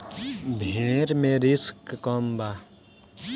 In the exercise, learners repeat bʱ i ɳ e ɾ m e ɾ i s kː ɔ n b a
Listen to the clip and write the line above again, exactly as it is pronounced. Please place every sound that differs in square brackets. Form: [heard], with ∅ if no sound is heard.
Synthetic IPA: bʱ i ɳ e ɾ m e ɾ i s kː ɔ [m] b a